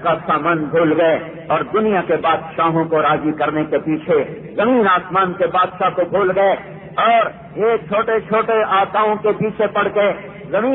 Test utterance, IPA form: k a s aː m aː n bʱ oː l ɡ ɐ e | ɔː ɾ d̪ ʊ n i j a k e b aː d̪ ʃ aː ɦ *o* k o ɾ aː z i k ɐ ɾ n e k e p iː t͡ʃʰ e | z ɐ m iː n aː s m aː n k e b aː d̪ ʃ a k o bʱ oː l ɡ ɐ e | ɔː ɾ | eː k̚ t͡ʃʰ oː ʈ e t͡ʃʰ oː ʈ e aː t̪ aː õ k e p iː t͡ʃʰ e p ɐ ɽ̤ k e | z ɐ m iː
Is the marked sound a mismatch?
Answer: yes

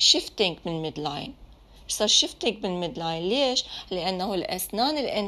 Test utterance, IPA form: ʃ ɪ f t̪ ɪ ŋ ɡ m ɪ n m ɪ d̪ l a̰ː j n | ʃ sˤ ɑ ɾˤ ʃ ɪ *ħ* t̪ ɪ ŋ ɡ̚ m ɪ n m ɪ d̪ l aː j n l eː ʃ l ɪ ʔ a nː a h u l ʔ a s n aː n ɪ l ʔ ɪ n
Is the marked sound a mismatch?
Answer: yes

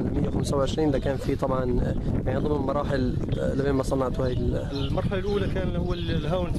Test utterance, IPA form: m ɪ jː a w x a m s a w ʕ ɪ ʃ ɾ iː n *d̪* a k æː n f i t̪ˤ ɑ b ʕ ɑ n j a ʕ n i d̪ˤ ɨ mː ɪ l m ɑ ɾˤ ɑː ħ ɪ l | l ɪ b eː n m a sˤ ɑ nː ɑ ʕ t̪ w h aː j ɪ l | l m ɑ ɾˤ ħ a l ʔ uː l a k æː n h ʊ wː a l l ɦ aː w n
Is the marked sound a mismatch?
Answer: no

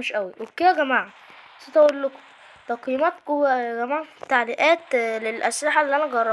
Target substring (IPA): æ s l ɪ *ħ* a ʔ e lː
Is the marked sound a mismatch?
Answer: no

